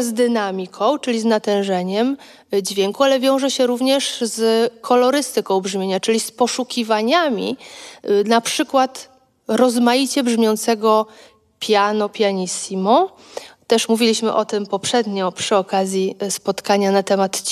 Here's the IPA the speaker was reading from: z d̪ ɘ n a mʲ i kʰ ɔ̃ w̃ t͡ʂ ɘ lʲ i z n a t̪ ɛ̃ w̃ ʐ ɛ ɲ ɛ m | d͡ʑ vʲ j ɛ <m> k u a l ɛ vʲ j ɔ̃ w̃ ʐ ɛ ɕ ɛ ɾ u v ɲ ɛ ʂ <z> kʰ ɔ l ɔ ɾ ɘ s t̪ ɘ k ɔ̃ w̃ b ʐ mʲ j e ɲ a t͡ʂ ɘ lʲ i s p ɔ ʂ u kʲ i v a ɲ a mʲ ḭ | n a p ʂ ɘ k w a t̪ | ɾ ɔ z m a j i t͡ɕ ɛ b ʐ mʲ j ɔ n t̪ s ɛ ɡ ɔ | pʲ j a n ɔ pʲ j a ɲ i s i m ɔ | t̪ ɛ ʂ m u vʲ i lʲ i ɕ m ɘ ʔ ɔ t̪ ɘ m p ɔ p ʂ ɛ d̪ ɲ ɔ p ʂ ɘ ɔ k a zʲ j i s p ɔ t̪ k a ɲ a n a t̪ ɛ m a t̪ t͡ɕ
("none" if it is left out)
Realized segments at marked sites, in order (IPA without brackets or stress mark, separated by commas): ŋ, z